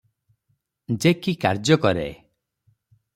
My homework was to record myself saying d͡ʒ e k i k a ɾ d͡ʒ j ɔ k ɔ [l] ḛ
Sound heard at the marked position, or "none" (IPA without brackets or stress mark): ɾ